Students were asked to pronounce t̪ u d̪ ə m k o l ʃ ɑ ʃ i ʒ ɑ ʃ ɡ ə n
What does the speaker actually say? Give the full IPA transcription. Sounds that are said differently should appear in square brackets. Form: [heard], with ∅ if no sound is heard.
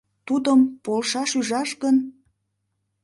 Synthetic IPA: t̪ u d̪ ə m [p] o l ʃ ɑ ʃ [y] ʒ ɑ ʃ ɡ ə n